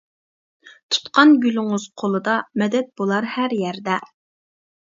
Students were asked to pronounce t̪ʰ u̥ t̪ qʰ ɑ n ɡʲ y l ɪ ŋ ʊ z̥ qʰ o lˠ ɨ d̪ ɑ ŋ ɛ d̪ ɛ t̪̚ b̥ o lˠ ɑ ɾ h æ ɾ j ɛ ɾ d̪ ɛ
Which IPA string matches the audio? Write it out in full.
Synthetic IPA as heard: t̪ʰ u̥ t̪ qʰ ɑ n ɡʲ y l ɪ ŋ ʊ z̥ qʰ o lˠ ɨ d̪ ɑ m ɛ d̪ ɛ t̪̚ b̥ o lˠ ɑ ɾ h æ ɾ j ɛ ɾ d̪ ɛ

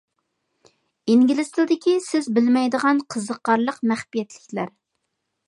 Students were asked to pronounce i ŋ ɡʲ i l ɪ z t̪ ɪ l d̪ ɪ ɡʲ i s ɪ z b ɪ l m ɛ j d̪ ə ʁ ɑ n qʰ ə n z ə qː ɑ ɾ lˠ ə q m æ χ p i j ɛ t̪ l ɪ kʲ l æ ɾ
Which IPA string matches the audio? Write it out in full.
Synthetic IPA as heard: i ŋ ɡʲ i l ɪ s t̪ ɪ l d̪ ɪ kʲ i s ɪ z b ɪ l m ɛ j d̪ ə ʁ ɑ n qʰ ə z ə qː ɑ ɾ lˠ ə q m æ χ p i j ɛ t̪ l ɪ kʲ l æ ɾ

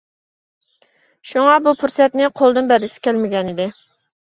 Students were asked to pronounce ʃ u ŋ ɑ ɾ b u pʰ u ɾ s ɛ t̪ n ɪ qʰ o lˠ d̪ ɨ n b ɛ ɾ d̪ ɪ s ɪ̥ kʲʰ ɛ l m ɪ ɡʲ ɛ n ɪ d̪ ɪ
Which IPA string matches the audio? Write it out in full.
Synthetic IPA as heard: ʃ u ŋ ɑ b u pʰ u ɾ s ɛ t̪ n ɪ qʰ o lˠ d̪ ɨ n b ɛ ɾ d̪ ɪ s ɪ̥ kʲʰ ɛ l m ɪ ɡʲ ɛ n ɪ d̪ ɪ

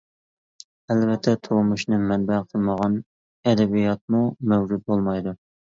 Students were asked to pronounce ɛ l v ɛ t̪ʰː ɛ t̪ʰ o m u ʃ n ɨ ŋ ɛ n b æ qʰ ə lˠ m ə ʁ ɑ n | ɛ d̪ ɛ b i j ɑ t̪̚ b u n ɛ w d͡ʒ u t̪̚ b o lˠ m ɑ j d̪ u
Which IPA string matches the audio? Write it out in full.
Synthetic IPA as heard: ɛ l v ɛ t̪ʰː ɛ t̪ʰ o m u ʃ n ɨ m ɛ n b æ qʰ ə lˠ m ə ʁ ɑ n | ɛ d̪ ɛ b i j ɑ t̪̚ m u m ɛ w d͡ʒ u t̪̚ b o lˠ m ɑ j d̪ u

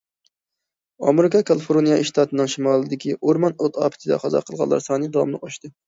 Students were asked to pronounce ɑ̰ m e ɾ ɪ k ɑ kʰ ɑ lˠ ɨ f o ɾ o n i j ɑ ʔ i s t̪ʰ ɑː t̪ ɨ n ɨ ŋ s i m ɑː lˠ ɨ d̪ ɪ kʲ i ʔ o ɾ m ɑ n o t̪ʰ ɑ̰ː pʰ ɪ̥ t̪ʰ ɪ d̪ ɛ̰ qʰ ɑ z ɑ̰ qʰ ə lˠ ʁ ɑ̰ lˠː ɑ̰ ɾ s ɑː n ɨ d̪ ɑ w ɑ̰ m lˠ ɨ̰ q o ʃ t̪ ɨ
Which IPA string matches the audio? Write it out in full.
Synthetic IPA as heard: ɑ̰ m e ɾ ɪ k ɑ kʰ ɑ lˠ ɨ f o ɾ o n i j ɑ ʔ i ʃ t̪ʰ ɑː t̪ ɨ n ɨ ŋ ʃ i m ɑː lˠ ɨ d̪ ɪ kʲ i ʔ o ɾ m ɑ n o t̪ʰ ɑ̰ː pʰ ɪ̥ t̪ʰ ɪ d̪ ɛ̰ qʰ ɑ z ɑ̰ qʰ ə lˠ ʁ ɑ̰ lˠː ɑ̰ ɾ s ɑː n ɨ d̪ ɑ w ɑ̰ m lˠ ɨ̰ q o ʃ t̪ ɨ

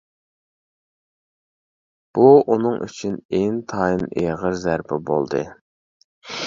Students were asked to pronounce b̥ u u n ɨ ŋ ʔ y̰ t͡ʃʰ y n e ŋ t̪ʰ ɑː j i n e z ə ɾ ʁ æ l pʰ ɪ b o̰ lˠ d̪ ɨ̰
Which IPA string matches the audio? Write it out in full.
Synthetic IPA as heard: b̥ u u n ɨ ŋ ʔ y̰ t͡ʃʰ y n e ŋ t̪ʰ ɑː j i n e ʁ ə ɾ z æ ɾ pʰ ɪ b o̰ lˠ d̪ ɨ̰

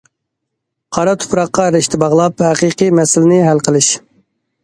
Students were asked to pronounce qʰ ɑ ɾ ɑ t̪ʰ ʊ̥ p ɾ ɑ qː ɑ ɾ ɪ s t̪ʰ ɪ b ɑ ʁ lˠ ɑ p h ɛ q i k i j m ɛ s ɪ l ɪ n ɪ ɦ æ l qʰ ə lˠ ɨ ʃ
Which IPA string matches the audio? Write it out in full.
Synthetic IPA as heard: qʰ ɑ ɾ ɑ t̪ʰ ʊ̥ p ɾ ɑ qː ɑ ɾ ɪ ʃ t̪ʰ ɪ b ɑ ʁ lˠ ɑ p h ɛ q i q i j m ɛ s ɪ l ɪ n ɪ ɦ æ l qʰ ə lˠ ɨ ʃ

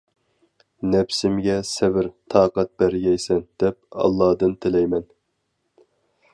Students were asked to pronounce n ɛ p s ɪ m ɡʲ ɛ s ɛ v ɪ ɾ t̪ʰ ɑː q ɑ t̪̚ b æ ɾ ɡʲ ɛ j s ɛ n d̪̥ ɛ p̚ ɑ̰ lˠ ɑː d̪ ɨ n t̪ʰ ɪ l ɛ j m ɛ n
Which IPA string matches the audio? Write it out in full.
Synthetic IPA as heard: n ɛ p s ɪ m ɡʲ ɛ s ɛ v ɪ ɾ t̪ʰ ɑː q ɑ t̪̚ b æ ɾ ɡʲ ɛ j s ɛ n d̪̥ ɛ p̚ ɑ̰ lˠː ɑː d̪ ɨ n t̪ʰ ɪ l ɛ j m ɛ n

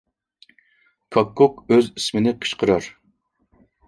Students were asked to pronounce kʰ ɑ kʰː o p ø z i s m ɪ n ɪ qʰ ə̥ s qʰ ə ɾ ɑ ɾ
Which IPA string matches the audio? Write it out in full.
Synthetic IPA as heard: kʰ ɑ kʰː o k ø z i s m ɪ n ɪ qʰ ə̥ ʃ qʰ ə ɾ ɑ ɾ

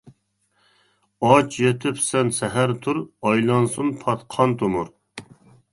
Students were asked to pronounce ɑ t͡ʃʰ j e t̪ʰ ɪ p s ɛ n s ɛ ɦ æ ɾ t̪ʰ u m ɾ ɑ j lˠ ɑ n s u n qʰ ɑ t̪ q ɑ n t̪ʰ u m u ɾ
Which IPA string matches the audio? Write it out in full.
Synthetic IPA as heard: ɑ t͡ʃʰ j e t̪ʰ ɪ p s ɛ n s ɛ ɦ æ ɾ t̪ʰ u ɾ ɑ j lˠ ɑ n s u n pʰ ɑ t̪ qʰ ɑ n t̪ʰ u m u ɾ

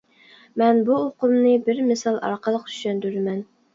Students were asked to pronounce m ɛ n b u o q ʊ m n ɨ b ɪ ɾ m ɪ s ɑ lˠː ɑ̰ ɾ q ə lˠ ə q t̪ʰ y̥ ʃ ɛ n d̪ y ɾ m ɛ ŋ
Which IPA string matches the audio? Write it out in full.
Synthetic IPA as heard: m ɛ n b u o q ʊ m n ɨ b ɪ ɾ m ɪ s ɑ lˠ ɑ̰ ɾ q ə lˠ ə q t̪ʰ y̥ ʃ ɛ n d̪ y ɾ m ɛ n

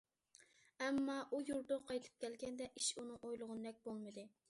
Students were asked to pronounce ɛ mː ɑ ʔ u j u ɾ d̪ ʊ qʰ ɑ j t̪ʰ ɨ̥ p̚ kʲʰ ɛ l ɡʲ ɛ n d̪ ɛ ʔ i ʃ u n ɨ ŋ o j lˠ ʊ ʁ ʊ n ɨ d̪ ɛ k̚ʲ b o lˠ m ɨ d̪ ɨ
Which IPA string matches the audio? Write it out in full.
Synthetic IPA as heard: ɛ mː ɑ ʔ u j u ɾ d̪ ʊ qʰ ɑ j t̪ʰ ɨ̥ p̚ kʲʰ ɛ l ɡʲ ɛ n d̪ ɛ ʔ i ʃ u n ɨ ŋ o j lˠ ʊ ʁ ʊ n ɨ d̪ ɛ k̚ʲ b o lˠ m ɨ d̪ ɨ

